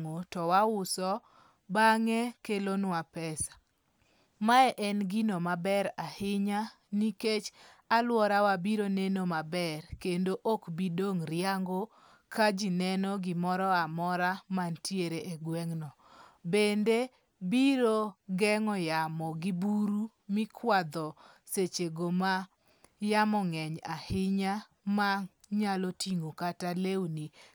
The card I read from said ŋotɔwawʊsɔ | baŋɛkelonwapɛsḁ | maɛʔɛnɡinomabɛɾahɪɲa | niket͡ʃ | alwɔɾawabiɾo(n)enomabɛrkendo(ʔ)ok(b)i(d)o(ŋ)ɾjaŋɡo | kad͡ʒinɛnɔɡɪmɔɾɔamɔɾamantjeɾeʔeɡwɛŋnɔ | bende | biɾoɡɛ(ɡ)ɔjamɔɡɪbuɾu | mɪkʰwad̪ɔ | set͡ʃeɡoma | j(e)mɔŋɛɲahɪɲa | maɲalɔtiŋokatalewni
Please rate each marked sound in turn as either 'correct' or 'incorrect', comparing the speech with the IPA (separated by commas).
correct, correct, correct, correct, correct, incorrect, incorrect